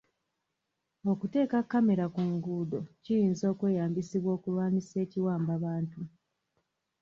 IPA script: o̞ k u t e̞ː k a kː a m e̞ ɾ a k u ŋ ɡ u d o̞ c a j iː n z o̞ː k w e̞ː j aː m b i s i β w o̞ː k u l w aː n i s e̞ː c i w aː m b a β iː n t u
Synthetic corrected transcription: o̞ k u t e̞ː k a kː a m e̞ ɾ a k u ŋ ɡ u d o̞ c i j iː n z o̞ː k w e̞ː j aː m b i s i β w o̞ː k u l w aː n i s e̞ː c i w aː m b a β aː n t u